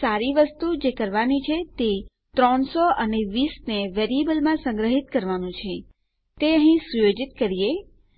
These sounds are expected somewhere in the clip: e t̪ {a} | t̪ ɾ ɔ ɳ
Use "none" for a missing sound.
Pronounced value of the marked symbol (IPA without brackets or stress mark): e